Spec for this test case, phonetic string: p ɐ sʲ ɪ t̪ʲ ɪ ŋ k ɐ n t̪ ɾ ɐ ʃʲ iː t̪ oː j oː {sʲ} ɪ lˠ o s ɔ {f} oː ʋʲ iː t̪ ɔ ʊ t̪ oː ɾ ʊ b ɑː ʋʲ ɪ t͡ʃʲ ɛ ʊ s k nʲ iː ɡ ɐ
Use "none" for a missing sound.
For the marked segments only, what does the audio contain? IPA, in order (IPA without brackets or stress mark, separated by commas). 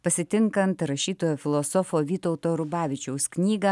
fʲ, f